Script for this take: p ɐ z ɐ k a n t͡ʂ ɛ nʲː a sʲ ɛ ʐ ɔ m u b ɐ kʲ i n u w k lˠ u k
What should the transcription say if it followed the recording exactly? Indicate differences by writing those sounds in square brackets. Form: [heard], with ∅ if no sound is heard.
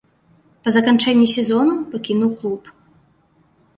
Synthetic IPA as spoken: p ɐ z ɐ k a n t͡ʂ ɛ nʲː [i] sʲ ɛ [z] ɔ [n] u [p] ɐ kʲ i n u w k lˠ u [p]